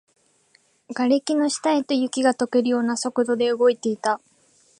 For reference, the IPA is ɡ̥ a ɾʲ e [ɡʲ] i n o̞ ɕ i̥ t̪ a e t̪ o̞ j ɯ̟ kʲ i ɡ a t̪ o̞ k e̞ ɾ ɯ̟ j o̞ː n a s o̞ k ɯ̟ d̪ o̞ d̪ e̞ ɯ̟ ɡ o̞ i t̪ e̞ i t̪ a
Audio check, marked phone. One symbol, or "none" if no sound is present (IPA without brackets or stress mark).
kʲ